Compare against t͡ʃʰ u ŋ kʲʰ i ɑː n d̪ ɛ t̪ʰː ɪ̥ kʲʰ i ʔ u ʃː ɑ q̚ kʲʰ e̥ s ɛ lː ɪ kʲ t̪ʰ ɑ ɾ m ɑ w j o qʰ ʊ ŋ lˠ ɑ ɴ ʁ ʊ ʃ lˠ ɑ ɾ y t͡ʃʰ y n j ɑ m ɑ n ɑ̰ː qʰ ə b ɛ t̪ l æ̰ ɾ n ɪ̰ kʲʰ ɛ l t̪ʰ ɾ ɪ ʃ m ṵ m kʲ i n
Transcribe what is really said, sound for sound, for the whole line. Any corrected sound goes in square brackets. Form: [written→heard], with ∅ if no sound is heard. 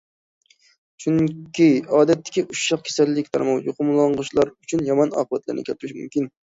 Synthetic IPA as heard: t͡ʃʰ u ŋ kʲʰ i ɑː [n→∅] d̪ ɛ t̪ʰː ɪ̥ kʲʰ i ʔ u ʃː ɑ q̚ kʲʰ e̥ s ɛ lː ɪ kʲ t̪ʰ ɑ ɾ m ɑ w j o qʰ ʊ [ŋ→m] lˠ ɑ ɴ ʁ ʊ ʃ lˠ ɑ ɾ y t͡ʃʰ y n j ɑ m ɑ n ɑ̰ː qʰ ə b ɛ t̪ l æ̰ ɾ n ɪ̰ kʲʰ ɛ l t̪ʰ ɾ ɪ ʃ m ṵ m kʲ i n